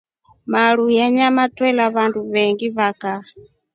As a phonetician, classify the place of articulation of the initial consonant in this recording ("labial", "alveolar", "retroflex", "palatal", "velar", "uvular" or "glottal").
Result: labial